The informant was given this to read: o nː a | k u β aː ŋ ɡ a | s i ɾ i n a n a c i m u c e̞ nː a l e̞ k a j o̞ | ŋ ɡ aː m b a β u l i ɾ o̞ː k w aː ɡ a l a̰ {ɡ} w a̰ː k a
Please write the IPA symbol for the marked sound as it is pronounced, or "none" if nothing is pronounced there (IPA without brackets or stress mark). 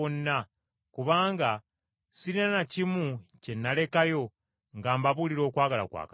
k